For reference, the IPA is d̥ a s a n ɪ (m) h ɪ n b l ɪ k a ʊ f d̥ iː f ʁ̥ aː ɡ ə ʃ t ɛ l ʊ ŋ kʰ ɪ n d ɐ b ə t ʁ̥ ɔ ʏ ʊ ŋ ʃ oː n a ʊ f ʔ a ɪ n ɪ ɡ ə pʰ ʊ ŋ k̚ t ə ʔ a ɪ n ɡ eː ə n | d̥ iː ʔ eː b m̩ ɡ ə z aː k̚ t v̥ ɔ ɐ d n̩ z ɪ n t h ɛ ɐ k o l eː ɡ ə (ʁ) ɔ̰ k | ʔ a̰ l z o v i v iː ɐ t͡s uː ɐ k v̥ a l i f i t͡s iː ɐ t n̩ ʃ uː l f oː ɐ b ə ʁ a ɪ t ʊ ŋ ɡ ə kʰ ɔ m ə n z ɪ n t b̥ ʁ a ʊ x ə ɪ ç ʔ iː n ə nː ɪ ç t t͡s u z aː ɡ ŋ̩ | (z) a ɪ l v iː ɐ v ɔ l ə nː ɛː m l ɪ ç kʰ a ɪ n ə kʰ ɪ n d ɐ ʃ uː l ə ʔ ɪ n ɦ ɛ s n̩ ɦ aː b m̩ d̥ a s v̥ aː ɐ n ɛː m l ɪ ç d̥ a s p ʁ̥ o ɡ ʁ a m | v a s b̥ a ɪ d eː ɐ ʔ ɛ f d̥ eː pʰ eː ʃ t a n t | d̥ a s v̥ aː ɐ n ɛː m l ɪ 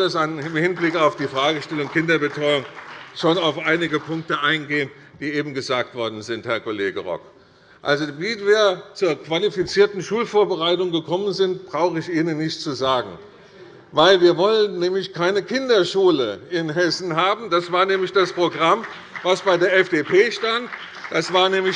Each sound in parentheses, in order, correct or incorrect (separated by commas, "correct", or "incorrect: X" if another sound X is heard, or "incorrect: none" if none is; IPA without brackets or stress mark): correct, correct, incorrect: v